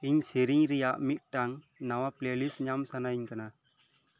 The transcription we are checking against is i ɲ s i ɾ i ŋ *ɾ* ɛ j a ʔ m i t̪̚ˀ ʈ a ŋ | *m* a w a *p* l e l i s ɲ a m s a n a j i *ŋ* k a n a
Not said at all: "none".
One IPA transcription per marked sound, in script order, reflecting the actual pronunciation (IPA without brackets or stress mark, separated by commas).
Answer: ɾ, n, p, ɲ